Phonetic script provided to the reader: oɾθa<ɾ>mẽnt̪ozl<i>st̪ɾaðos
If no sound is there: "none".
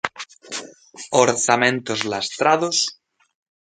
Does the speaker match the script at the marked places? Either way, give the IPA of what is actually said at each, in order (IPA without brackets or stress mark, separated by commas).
none, a